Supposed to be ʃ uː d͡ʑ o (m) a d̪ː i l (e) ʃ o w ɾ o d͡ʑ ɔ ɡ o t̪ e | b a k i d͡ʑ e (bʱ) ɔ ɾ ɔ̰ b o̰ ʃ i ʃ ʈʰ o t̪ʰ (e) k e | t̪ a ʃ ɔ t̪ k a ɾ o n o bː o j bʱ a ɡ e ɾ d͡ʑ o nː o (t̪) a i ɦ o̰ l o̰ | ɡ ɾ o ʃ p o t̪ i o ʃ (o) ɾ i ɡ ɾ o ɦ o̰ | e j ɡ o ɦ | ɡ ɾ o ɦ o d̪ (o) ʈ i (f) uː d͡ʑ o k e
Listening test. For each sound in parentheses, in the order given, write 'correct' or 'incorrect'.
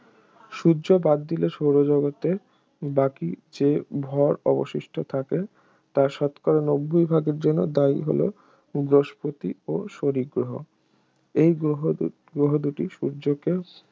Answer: incorrect, correct, correct, incorrect, incorrect, correct, incorrect, incorrect

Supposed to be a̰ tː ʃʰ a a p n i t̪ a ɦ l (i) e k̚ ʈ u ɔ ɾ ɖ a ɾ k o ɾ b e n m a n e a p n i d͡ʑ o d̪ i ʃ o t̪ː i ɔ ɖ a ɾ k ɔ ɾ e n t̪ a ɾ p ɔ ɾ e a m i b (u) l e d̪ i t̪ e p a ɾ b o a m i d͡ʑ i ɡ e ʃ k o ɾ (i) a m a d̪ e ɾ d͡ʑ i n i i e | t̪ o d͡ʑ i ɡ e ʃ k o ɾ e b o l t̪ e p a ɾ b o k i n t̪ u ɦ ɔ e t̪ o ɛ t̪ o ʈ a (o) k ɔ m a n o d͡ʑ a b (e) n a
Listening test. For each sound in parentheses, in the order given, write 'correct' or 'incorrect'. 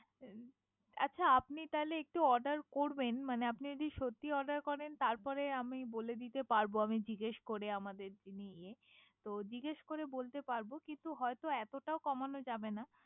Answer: incorrect, incorrect, incorrect, correct, correct

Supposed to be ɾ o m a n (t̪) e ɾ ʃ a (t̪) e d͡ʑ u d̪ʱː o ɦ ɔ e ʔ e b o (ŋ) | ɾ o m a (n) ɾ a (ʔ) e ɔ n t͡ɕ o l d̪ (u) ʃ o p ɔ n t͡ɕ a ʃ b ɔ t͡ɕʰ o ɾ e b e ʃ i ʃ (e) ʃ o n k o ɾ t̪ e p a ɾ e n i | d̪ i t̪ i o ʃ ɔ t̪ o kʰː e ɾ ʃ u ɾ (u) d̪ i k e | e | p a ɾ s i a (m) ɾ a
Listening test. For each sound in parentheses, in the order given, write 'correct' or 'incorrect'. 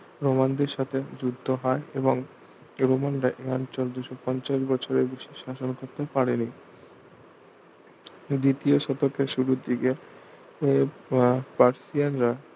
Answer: incorrect, incorrect, correct, correct, correct, correct, incorrect, correct, incorrect

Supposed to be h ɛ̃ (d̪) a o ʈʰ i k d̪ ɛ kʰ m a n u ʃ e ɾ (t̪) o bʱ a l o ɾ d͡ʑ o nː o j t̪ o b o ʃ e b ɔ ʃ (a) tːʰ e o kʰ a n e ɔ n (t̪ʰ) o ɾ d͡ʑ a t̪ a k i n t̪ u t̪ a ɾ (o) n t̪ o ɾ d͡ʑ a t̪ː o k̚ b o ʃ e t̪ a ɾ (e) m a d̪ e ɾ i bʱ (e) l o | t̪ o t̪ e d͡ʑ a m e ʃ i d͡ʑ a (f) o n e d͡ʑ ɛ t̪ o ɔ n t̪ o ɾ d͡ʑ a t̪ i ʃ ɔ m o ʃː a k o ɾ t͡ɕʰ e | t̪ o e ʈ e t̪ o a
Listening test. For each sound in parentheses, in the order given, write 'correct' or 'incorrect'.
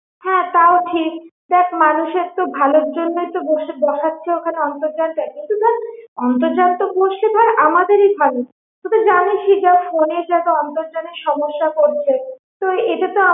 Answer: incorrect, correct, correct, incorrect, incorrect, incorrect, incorrect, correct

